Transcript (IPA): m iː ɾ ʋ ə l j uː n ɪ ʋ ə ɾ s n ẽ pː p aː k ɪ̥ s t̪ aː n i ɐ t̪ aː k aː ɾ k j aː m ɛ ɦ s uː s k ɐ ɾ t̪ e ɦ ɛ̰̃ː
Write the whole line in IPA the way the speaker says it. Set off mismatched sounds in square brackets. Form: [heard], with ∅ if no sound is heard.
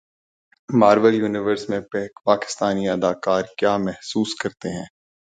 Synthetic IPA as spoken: m [aː] ɾ ʋ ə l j uː n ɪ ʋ ə ɾ s [m] ẽ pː p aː k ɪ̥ s t̪ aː n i ɐ [d̪] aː k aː ɾ k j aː m ɛ ɦ s uː s k ɐ ɾ t̪ e ɦ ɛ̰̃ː